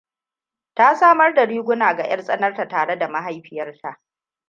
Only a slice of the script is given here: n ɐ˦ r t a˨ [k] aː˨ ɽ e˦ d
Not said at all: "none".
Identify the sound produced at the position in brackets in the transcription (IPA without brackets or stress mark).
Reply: t